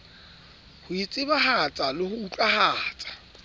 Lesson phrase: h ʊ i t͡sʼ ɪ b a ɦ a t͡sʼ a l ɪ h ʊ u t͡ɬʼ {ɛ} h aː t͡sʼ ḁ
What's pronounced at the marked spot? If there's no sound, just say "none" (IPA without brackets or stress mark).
a